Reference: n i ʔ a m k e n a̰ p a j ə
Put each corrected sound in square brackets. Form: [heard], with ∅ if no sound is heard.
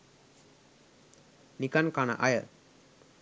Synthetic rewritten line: n i [k] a [n] k [a] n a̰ [ʔ] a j ə